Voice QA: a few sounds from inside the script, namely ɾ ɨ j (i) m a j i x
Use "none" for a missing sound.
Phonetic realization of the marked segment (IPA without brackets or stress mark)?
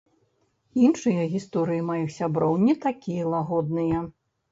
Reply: i